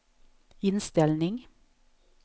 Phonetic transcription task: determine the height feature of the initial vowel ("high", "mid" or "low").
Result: high